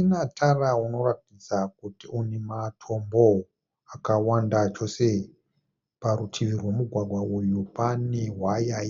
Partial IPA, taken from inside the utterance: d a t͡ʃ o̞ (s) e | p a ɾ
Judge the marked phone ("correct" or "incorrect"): correct